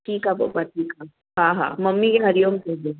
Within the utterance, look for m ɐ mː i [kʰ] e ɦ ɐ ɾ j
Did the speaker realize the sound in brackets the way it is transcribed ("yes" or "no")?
no